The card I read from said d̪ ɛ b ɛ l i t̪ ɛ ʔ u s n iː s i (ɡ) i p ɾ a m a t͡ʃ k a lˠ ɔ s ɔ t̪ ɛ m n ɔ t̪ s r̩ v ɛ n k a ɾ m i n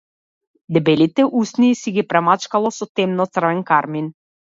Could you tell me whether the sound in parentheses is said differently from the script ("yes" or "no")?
no